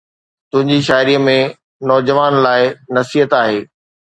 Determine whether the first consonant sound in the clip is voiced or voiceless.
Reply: voiceless